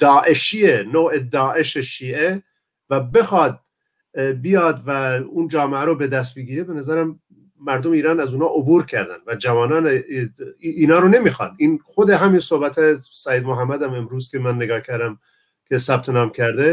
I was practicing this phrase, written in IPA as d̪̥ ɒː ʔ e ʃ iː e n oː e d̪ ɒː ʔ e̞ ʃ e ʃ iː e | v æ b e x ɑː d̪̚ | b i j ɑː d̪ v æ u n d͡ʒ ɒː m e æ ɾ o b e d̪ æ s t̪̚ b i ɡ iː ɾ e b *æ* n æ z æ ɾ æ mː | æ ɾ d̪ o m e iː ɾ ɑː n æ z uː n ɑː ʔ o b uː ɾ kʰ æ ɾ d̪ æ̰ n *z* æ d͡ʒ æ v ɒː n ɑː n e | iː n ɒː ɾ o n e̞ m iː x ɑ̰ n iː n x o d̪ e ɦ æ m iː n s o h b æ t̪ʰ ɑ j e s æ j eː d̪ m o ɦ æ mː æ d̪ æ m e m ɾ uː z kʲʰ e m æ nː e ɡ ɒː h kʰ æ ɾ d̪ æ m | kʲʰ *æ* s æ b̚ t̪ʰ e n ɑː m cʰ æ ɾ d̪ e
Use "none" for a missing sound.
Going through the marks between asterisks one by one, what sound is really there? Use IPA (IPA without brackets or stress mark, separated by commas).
e, v, e